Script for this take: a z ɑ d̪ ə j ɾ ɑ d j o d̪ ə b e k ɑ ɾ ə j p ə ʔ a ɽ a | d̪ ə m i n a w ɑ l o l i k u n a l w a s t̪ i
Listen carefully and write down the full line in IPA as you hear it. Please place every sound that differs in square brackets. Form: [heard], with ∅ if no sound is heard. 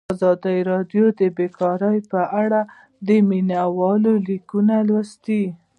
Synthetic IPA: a z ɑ d̪ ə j ɾ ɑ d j o d̪ ə b e k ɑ ɾ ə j p ə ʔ a ɽ a | d̪ ə m i n a w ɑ l o l i k u n a l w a s t̪ i